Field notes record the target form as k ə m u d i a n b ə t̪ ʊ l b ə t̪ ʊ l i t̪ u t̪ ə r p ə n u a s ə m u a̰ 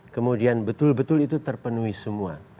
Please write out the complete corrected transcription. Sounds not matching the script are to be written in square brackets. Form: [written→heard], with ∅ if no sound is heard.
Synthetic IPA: k ə m u d i a n b ə t̪ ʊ l b ə t̪ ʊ l i t̪ u t̪ ə r p ə n u [a→i] s ə m u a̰